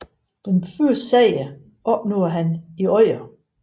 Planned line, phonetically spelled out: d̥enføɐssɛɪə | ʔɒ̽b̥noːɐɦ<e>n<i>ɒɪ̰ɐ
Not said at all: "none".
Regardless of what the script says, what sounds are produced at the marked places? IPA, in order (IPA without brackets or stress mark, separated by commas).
æ, i